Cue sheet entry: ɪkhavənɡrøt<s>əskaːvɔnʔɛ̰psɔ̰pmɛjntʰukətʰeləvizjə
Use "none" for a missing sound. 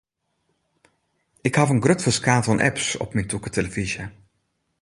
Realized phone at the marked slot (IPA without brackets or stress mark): f